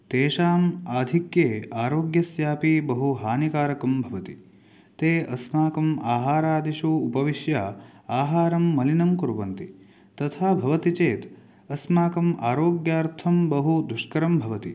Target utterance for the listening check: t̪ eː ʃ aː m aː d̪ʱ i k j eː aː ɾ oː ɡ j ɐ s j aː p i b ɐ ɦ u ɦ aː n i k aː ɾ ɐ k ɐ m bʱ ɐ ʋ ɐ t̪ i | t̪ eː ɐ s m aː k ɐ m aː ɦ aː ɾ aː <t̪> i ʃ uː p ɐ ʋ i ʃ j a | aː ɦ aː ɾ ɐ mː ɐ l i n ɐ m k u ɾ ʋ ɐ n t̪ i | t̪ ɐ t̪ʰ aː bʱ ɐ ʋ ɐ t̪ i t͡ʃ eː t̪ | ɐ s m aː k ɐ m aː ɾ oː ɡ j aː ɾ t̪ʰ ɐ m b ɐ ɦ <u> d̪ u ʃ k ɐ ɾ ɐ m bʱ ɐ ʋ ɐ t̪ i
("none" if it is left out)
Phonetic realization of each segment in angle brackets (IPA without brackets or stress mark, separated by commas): d̪, u